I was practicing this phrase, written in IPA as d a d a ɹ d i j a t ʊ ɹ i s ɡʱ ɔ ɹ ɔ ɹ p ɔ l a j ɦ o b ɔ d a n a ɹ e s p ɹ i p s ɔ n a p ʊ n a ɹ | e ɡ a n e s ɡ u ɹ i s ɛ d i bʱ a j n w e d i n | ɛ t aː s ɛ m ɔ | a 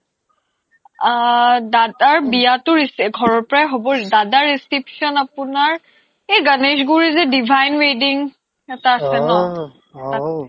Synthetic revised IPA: d a d a ɹ b i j a t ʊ ɹ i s ɡʱ ɔ ɹ ɔ ɹ p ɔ ɹ a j ɦ o b ɔ d a d a ɹ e s k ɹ i p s ɔ n a p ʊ n a ɹ | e ɡ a n e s ɡ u ɹ i z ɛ d i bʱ a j n w e d i ŋ | ɛ t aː s ɛ n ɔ | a